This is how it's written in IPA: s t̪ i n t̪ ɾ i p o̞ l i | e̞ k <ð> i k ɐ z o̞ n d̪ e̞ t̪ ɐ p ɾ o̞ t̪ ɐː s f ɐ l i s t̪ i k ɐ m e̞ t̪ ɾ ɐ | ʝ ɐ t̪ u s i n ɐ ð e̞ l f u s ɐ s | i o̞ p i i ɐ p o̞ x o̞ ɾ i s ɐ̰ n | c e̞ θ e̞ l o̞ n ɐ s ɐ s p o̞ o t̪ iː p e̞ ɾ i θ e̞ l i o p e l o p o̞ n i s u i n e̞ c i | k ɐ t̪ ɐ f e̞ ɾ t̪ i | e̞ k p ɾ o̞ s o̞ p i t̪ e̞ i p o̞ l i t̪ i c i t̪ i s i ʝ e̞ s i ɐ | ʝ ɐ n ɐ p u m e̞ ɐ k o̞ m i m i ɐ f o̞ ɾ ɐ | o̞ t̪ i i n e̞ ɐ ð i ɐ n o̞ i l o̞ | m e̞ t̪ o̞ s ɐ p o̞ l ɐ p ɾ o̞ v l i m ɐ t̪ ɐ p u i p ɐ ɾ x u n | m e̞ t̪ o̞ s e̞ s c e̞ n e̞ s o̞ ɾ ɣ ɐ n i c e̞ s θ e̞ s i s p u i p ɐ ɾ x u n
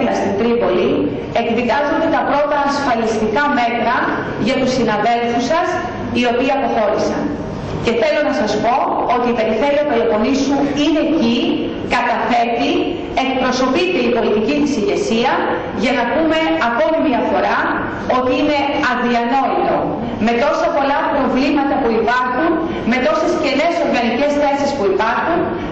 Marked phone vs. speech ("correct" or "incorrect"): correct